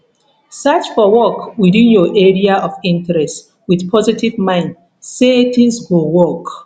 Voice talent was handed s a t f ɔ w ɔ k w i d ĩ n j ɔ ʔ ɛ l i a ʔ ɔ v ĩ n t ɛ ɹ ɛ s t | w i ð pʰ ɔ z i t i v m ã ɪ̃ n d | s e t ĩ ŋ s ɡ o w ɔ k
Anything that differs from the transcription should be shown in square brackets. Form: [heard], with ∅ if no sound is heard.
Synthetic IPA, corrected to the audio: s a [t͡ʃ] f ɔ w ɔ k w i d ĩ n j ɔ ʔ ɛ [ɹ] i a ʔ ɔ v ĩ n t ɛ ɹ ɛ s t | w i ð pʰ ɔ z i t i v m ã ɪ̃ n d | s e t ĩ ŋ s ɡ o w ɔ k